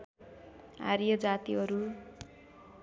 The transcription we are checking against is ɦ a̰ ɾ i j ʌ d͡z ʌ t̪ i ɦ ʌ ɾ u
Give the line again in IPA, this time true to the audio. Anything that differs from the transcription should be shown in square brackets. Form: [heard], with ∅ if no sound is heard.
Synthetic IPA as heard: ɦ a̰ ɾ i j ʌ d͡z [a] t̪ i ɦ ʌ ɾ u